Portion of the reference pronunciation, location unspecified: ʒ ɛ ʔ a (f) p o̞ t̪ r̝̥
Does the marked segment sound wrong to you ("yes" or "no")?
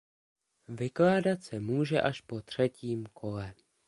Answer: yes